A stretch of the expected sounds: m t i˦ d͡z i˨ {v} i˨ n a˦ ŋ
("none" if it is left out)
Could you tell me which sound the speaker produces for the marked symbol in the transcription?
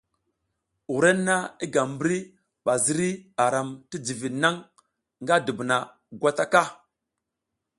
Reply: v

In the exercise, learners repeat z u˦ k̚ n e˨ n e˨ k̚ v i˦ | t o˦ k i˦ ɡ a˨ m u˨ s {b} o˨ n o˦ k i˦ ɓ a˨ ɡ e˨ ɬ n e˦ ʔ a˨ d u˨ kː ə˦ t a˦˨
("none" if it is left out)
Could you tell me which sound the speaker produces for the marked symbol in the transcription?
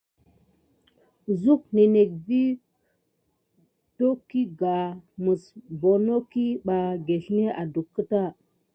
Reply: b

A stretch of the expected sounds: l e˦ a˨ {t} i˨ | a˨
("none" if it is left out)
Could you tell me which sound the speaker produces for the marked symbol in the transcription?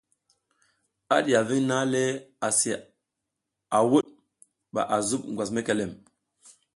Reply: s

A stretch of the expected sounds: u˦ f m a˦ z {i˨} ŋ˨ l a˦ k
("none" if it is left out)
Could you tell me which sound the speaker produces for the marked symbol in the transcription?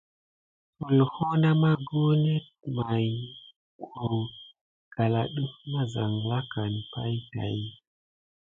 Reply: a˨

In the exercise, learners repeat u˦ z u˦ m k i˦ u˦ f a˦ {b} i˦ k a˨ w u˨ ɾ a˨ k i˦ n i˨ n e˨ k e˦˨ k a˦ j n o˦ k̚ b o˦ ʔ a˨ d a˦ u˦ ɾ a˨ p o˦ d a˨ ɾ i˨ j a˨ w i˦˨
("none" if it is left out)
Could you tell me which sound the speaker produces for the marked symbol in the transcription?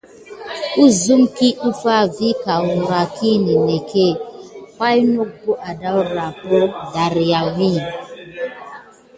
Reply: v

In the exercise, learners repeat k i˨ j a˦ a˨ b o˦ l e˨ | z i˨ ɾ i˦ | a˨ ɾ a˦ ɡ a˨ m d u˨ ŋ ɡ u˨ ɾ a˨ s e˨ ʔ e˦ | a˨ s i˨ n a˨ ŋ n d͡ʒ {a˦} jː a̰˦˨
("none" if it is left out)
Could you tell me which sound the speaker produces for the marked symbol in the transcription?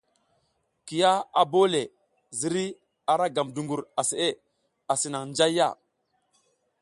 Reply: a˦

